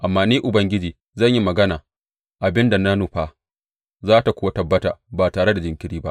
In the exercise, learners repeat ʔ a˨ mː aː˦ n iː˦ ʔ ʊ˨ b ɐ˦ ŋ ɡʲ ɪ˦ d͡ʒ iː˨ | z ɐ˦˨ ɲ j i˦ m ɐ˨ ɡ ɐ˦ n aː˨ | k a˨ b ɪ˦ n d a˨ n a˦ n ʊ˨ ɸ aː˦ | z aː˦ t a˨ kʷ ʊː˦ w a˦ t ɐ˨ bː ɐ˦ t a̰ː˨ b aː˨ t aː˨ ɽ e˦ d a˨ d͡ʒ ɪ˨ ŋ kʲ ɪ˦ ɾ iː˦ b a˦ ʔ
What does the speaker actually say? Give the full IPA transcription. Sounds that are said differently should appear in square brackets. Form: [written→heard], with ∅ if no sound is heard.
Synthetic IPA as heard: ʔ a˨ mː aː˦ n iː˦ ʔ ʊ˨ b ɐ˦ ŋ ɡʲ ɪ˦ d͡ʒ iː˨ | z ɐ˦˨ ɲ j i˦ m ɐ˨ ɡ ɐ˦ n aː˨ | [k→ʔ] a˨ b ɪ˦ n d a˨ n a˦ n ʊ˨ ɸ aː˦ | z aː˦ t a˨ kʷ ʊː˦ w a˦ t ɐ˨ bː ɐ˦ t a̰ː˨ b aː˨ t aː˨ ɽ e˦ d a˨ d͡ʒ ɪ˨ ŋ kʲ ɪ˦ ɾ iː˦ b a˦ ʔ